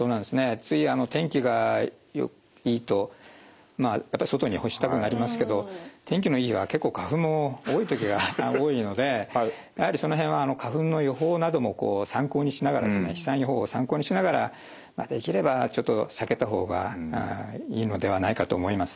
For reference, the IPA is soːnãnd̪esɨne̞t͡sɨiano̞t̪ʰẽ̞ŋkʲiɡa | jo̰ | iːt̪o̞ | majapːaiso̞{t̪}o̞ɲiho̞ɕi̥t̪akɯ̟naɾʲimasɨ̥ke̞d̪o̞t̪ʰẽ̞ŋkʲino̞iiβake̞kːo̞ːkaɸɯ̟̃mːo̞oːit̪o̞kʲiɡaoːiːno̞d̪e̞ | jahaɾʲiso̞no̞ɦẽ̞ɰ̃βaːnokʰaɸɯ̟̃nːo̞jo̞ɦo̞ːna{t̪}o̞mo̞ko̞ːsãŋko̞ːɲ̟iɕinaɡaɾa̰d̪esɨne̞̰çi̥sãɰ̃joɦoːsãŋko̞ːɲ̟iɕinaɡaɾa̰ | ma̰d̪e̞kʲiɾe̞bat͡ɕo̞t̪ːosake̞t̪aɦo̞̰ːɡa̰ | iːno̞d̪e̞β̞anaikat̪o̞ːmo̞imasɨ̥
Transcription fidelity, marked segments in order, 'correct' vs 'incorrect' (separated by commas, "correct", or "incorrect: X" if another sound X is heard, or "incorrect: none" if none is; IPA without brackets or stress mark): correct, incorrect: d̪